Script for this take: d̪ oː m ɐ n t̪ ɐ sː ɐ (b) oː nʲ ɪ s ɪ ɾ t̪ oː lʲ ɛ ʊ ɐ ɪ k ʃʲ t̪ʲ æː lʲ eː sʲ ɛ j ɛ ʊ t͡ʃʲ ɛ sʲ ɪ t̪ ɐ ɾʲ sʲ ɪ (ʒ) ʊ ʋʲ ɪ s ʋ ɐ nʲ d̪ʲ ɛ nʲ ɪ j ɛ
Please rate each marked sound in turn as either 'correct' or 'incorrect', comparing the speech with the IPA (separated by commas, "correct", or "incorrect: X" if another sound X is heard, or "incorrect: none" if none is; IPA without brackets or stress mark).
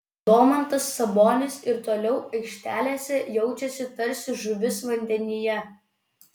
correct, correct